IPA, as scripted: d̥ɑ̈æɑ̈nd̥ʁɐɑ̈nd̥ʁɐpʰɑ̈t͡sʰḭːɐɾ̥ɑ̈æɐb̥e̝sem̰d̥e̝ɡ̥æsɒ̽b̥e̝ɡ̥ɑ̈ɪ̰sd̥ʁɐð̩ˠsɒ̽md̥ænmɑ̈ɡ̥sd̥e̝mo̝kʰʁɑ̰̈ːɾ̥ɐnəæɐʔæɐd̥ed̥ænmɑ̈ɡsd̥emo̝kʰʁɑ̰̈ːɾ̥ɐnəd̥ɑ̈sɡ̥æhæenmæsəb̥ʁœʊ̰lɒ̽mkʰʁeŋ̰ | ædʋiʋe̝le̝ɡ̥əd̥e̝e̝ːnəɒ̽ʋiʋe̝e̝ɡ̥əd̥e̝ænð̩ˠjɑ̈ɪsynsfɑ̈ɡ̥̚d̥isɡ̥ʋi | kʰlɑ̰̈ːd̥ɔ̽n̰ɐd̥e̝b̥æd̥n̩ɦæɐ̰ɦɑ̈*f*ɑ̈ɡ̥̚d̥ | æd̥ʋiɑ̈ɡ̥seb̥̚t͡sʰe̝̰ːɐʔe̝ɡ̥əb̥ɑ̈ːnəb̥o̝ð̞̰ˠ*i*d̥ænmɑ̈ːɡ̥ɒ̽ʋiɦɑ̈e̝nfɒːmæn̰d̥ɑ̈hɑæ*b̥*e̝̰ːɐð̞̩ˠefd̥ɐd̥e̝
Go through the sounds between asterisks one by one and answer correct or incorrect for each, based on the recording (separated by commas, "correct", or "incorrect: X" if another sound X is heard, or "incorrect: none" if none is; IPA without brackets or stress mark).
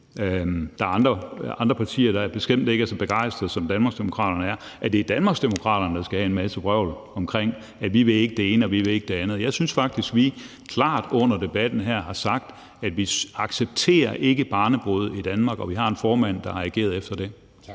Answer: incorrect: s, correct, incorrect: ɡ̥